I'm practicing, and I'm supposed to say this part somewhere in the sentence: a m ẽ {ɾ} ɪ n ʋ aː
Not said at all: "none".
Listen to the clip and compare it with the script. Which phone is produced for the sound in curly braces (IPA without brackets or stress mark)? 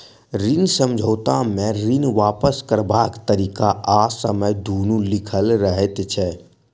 ɾ